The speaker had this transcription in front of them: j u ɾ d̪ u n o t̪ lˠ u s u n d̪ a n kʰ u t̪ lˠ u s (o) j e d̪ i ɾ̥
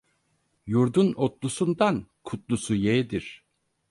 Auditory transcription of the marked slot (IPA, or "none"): u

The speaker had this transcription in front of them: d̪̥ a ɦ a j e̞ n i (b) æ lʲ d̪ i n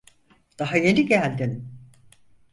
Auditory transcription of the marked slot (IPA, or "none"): ɟ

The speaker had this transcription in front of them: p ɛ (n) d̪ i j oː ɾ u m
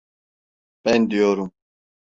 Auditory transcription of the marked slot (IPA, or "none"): n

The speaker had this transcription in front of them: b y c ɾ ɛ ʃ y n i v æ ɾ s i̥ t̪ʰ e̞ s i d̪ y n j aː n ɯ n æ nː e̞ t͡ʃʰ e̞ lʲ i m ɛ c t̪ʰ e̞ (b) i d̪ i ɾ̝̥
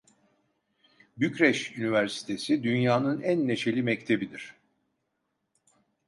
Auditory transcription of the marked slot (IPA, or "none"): b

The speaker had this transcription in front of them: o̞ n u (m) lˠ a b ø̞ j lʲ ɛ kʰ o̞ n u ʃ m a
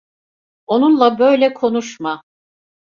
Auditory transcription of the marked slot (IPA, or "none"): n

